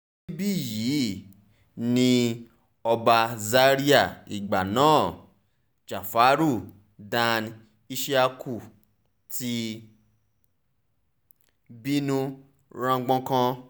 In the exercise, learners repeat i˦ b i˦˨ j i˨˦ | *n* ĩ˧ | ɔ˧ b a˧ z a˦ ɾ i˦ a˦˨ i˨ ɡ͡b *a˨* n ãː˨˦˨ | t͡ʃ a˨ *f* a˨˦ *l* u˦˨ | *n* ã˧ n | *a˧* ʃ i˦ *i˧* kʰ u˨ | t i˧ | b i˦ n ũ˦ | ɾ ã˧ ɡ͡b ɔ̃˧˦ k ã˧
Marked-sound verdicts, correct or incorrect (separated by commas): correct, correct, correct, incorrect, incorrect, incorrect, incorrect